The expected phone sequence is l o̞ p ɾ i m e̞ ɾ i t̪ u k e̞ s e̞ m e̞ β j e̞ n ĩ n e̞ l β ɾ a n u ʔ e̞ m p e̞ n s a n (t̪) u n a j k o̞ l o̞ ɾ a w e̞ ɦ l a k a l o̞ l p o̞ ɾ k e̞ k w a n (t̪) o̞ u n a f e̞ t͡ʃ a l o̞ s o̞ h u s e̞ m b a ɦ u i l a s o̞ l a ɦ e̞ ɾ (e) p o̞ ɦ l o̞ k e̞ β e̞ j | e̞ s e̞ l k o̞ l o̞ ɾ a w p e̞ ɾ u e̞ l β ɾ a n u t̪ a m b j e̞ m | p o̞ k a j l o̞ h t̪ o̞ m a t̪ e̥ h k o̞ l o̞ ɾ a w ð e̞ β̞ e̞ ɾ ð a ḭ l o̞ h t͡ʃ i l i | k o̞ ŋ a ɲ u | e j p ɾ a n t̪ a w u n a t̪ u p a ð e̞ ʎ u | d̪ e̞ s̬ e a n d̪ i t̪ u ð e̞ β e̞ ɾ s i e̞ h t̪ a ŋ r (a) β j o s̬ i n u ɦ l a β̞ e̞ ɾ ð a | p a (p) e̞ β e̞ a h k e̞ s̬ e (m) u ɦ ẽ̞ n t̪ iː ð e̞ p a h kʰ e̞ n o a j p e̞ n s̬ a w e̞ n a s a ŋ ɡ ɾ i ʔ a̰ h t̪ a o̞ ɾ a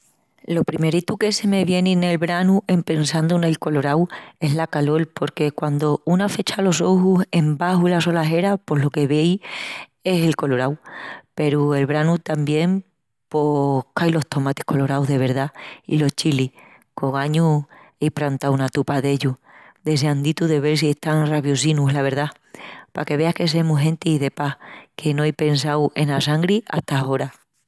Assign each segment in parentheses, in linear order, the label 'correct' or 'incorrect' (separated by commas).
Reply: incorrect, incorrect, incorrect, correct, incorrect, correct